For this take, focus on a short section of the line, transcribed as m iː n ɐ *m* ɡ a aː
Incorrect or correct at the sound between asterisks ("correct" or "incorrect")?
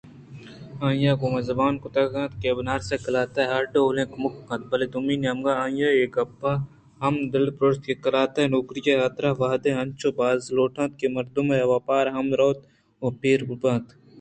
correct